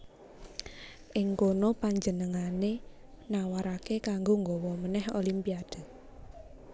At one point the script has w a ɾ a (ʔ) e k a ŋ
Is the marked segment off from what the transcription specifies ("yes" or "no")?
yes